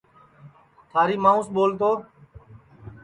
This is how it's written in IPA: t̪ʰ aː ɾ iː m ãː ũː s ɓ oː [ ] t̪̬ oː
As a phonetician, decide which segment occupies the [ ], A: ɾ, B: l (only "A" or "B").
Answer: B